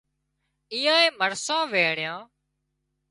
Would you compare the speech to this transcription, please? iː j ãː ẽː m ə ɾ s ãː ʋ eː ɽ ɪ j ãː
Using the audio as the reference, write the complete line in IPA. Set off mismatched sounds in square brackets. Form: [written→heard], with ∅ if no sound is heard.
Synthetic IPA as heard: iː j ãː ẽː m ə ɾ s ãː ʋ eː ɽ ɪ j ãː